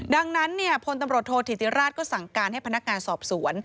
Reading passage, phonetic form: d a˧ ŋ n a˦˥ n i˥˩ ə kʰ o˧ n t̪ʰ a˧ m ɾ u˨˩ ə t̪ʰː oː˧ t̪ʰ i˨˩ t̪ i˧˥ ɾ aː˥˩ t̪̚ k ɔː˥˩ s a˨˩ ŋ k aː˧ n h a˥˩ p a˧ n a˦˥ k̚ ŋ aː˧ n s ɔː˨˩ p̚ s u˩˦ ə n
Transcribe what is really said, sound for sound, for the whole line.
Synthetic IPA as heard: d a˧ ŋ n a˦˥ nː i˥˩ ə pʰ o˧ n t̪ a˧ m ɾ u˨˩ ə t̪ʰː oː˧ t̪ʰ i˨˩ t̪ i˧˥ ɾ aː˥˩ t̪̚ k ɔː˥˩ s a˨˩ ŋ k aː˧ n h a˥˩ p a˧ n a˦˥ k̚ ŋ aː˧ n s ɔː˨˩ p̚ s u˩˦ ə n